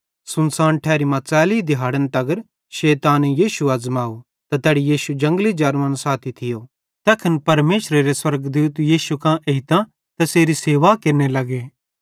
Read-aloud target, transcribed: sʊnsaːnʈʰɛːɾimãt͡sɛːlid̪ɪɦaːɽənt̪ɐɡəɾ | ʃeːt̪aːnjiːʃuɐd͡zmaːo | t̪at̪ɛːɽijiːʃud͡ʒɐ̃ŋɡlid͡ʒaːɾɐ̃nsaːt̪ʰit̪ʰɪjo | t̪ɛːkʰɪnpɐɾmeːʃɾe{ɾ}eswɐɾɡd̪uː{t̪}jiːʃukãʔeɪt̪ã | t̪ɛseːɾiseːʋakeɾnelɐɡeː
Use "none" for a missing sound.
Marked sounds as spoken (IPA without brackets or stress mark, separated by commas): ɾ, t̪